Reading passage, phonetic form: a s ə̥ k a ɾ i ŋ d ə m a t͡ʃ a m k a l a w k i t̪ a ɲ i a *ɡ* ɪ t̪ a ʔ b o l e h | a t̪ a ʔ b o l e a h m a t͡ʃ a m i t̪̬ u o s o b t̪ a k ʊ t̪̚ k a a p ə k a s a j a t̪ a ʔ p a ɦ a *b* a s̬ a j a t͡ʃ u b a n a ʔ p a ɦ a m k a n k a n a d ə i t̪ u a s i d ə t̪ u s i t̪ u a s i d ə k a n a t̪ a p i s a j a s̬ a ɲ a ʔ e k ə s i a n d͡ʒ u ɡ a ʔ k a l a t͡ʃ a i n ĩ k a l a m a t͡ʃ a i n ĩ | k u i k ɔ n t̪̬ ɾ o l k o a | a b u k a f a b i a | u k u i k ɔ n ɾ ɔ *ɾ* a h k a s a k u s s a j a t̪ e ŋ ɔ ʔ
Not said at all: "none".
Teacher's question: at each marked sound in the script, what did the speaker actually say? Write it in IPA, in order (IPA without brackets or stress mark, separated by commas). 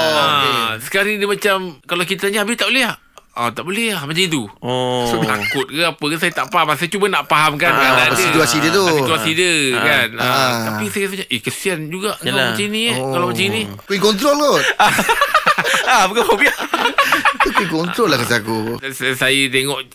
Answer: b, m, l